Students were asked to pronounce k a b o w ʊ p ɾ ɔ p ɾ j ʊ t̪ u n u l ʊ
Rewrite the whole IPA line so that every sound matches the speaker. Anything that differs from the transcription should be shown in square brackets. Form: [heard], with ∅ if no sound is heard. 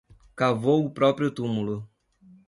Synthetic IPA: k a [v] o w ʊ p ɾ ɔ p ɾ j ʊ t̪ u [m] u l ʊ

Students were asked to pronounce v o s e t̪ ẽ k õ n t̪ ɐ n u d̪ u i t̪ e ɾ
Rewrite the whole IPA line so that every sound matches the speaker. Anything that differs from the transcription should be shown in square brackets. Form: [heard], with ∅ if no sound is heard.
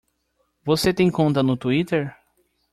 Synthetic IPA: v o s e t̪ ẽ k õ n t̪ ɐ n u [t̪] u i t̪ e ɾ

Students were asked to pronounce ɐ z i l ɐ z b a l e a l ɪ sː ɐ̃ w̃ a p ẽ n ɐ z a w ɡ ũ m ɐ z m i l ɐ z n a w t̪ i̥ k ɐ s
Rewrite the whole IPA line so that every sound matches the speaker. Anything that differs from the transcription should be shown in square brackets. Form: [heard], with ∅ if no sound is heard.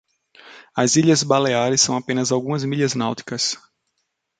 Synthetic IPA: ɐ z i [ʎ] ɐ z b a l e a [ɾ] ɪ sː ɐ̃ w̃ a p ẽ n ɐ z a w ɡ ũ m ɐ z m i [ʎ] ɐ z n a w t̪ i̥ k ɐ s

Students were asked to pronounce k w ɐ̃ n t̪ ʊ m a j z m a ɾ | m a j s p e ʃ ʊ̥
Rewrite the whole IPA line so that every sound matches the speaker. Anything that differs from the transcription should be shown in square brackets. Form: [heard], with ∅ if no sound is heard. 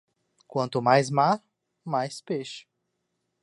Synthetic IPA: k w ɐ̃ n t̪ ʊ m a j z m a ɾ | m a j s p e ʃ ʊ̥

